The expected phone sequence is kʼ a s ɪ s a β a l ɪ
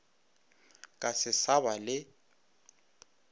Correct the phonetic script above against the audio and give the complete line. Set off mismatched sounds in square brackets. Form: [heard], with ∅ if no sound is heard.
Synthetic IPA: kʼ a s ɪ s a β a l ɪ